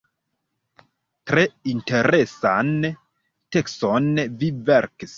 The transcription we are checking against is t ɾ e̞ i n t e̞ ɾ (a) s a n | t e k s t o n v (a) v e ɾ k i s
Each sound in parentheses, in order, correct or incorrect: incorrect, incorrect

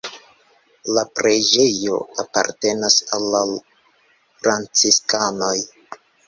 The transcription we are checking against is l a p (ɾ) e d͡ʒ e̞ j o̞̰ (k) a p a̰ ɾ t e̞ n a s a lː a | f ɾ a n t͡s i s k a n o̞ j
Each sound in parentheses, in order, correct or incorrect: correct, incorrect

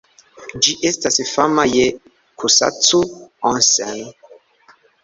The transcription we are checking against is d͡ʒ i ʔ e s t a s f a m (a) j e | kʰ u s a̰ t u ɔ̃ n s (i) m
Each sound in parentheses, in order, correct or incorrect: correct, incorrect

